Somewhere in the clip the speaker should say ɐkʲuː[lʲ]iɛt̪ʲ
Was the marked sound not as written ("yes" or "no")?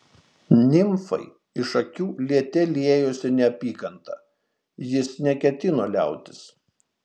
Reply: no